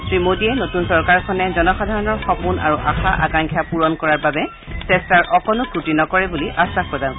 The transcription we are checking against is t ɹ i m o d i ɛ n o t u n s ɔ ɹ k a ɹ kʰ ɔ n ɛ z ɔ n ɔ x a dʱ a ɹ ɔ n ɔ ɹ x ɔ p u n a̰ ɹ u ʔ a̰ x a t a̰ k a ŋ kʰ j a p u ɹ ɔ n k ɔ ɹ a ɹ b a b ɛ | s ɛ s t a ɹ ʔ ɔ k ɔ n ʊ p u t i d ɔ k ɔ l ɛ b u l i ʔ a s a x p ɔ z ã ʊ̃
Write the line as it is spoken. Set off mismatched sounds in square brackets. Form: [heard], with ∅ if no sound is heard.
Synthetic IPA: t ɹ i m o d i ɛ n o t u n s ɔ ɹ k a ɹ kʰ ɔ n ɛ z ɔ n ɔ x a dʱ a ɹ ɔ n ɔ ɹ x ɔ p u n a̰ ɹ u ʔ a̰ x a [ʔ] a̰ k a ŋ kʰ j a p u ɹ ɔ n k ɔ ɹ a ɹ b a b ɛ | s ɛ s t a ɹ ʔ ɔ k ɔ n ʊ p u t i [n] ɔ k ɔ [ɹ] ɛ b u l i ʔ a s a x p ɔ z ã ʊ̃